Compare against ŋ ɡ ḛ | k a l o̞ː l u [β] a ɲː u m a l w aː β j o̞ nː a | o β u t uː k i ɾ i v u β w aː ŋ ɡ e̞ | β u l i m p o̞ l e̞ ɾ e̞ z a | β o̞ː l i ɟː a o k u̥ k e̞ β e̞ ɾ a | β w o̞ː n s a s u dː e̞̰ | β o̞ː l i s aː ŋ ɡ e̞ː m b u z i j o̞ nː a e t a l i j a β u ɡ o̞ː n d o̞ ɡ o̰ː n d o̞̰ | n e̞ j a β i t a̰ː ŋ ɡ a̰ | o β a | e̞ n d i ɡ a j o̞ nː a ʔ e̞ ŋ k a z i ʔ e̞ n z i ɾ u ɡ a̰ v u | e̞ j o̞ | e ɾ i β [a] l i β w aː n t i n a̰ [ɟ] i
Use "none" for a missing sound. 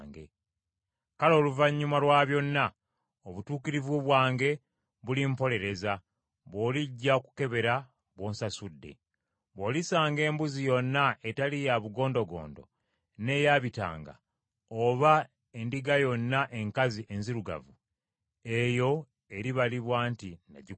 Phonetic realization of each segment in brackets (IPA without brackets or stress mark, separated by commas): v, a, ɟ